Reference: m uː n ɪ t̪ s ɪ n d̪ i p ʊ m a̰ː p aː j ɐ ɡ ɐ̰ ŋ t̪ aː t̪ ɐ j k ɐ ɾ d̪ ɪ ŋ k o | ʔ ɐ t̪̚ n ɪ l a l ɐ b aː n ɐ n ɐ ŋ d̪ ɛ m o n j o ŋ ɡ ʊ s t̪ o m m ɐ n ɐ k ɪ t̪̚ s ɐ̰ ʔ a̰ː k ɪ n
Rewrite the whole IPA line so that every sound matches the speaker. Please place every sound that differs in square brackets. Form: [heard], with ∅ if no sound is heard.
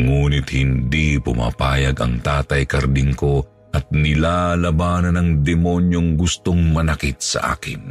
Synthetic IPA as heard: [ŋ] uː n ɪ t̪ [h] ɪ n d̪ i p ʊ m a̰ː p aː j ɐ ɡ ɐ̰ ŋ t̪ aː t̪ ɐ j k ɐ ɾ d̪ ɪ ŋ k o | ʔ ɐ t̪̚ n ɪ l a l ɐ b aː n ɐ n ɐ ŋ d̪ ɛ m o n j o ŋ ɡ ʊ s t̪ o [ŋ] m ɐ n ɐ k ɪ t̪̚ s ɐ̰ ʔ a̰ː k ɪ n